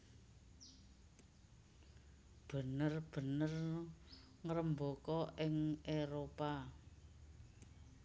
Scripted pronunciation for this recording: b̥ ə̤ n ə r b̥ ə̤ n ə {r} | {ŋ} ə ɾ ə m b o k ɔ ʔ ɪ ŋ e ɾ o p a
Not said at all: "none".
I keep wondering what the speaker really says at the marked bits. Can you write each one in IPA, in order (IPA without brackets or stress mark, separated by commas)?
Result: r, ŋ